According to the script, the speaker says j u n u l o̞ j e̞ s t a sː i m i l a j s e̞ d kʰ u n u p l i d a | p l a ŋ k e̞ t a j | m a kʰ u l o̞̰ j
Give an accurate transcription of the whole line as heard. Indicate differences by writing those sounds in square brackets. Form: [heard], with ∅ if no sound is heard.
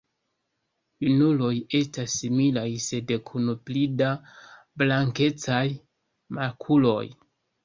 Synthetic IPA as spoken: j u n u l o̞ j e̞ s t a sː i m i l a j s e̞ d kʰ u n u p l i d a | [b] l a ŋ k e̞ [t͡s] a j | m a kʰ u l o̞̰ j